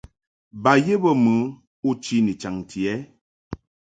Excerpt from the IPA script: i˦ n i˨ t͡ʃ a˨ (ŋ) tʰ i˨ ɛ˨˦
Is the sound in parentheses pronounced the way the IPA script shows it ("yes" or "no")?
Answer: yes